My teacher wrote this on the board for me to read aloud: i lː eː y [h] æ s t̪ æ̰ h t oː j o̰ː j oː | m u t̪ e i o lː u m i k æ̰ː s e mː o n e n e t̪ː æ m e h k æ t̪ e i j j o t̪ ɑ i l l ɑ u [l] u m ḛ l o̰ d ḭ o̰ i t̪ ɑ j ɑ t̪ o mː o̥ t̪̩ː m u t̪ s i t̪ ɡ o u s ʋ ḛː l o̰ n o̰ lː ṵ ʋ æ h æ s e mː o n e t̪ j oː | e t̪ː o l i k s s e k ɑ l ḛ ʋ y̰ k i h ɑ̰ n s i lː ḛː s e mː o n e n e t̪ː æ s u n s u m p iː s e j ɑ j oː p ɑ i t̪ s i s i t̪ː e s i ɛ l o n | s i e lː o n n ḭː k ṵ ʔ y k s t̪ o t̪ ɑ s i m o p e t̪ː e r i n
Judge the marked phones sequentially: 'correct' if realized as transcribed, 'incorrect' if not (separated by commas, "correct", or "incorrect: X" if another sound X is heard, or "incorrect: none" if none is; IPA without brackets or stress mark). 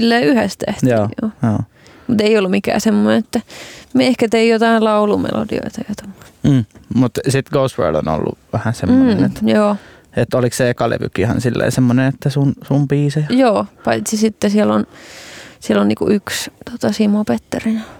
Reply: correct, correct